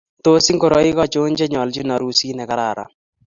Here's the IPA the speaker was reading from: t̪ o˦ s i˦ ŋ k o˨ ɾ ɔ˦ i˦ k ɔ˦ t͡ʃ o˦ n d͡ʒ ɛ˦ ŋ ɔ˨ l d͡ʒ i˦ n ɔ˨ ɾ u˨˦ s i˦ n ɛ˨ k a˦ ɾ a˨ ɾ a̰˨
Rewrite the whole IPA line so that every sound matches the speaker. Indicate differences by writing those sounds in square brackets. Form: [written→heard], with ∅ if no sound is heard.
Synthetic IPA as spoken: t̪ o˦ s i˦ ŋ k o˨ ɾ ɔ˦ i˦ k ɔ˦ t͡ʃ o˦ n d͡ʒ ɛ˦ [ŋ→ɲ] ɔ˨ l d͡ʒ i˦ n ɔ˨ ɾ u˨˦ s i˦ n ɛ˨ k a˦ ɾ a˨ ɾ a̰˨

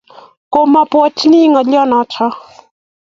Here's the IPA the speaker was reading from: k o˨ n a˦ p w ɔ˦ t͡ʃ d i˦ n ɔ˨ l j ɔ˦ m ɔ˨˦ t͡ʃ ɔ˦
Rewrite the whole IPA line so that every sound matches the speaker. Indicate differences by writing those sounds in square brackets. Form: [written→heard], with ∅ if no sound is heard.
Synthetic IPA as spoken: k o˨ [n→m] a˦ p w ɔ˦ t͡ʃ [d→n] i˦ [n→ŋ] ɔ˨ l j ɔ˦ [m→n] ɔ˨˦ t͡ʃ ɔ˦

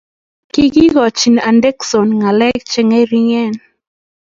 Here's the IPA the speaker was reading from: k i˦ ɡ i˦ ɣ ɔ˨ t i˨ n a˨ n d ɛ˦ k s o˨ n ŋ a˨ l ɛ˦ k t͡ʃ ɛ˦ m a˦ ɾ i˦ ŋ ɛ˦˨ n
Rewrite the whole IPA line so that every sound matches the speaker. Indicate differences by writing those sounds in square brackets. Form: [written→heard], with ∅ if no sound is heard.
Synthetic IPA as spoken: k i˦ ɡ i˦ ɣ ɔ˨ [t→t͡ʃ] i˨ n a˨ n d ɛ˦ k s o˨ n ŋ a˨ l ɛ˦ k t͡ʃ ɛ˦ [m→ŋ] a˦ ɾ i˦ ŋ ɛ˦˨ n

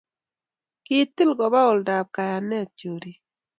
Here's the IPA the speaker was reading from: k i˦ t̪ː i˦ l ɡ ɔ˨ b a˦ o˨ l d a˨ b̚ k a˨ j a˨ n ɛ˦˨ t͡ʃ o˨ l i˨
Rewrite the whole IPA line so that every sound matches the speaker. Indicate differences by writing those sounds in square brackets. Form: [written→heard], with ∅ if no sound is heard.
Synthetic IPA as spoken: k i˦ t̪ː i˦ l ɡ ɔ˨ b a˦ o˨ l d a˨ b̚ k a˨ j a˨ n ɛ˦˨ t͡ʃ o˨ [l→ɾ] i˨

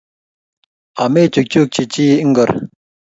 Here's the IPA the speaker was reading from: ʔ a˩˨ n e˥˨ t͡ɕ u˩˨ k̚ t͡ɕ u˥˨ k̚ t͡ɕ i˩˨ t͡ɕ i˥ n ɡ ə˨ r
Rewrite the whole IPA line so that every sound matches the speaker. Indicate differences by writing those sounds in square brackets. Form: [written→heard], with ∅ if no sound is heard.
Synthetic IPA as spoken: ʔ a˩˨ [n→m] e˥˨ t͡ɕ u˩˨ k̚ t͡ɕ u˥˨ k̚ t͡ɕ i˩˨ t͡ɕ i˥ [n→ŋ] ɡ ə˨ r

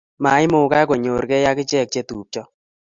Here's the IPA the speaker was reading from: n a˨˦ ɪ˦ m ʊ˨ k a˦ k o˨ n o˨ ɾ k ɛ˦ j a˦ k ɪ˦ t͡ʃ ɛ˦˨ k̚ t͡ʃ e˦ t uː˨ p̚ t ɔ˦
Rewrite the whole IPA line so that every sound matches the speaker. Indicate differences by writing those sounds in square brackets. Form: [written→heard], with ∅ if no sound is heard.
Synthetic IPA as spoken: [n→m] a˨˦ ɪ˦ m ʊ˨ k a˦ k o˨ [n→ɲ] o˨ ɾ k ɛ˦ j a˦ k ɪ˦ t͡ʃ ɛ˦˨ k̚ t͡ʃ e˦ t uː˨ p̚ [t→t͡ʃ] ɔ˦

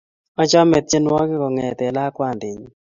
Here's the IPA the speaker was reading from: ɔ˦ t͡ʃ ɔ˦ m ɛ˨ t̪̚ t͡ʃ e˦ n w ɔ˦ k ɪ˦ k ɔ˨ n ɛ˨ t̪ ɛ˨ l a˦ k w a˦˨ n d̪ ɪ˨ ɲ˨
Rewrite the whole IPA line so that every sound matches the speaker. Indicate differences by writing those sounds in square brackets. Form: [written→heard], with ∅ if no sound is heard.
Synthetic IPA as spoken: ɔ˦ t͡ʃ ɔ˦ m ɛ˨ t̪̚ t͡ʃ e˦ n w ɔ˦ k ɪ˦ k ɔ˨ [n→ŋ] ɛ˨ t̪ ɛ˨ l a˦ k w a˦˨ n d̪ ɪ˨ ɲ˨

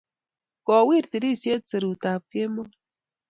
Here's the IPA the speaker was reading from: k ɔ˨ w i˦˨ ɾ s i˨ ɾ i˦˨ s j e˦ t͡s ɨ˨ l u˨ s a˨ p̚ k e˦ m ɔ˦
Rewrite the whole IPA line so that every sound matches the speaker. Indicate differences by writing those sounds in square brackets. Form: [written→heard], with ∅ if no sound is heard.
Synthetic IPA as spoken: k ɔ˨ w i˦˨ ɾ [s→t] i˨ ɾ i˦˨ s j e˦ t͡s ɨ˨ [l→ɾ] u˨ [s→t] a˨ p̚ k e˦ m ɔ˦

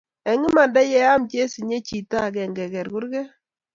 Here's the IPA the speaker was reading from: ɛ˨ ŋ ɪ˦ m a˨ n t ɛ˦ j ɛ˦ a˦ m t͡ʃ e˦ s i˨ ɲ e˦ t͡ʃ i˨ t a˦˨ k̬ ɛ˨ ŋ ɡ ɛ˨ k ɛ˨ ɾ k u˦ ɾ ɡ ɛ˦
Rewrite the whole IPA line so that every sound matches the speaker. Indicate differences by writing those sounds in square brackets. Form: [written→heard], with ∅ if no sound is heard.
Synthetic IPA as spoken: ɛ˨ ŋ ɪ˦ m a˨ n [t→d] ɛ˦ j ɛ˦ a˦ m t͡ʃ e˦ s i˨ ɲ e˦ t͡ʃ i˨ t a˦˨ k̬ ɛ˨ ŋ ɡ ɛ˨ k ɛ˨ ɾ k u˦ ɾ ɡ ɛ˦

